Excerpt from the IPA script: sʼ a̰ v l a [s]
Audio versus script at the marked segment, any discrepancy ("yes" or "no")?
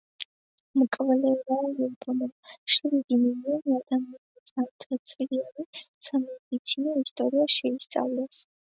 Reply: no